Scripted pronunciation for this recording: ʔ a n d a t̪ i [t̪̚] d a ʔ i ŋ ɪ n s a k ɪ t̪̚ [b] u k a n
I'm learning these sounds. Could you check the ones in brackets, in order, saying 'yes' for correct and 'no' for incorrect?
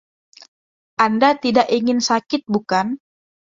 no, yes

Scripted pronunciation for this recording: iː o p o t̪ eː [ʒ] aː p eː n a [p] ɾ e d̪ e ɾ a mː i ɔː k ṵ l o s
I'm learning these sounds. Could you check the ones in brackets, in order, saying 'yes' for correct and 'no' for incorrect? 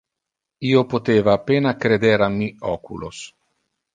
no, no

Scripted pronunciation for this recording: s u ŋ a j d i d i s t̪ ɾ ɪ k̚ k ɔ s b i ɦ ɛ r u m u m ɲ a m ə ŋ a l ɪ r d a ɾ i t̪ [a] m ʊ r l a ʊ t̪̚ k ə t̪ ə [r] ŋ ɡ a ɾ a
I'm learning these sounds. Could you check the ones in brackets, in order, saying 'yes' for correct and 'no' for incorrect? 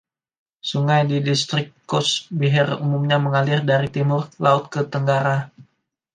no, no

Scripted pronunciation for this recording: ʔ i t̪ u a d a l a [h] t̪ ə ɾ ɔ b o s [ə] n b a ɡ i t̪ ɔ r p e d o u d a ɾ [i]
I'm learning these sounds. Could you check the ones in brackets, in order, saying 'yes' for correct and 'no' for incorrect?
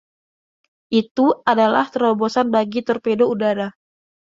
yes, no, no

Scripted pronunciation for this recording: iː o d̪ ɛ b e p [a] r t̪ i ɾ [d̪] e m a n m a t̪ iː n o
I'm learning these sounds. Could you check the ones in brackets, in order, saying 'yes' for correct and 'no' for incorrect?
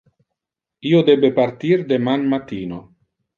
yes, yes

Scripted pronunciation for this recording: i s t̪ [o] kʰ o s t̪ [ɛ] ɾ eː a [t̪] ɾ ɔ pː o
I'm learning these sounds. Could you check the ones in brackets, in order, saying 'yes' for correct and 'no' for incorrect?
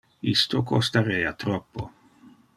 yes, no, yes

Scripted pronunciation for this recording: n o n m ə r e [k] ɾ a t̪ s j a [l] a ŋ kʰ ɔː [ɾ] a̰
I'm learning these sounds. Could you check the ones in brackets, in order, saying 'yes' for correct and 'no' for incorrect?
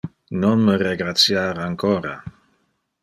no, no, yes

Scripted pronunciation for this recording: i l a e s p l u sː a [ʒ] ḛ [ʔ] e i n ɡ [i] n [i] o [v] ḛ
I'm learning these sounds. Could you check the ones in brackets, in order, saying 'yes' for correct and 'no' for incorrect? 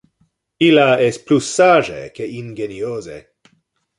yes, no, no, yes, no

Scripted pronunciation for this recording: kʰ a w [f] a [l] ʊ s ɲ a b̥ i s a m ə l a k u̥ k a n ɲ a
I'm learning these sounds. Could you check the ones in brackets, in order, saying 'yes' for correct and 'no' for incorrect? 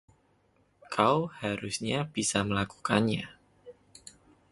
no, no

